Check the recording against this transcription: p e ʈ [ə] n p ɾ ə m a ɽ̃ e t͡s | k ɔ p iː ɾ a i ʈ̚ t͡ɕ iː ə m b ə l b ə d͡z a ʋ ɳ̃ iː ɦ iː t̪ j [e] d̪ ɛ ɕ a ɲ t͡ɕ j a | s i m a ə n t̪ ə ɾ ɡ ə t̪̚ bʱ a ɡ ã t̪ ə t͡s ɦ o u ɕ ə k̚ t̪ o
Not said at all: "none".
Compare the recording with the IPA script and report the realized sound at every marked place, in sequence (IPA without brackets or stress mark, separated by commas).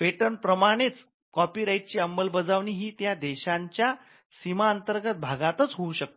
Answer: ə, a